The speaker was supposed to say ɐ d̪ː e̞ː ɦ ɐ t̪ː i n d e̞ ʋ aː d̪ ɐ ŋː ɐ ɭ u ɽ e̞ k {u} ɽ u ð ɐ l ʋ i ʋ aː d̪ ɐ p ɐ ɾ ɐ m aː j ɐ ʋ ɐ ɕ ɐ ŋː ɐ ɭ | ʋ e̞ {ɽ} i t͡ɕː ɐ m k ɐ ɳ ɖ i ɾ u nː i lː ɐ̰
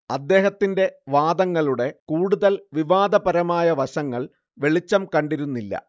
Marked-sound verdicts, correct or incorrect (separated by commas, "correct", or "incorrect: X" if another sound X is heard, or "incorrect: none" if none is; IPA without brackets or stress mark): incorrect: uː, incorrect: ɭ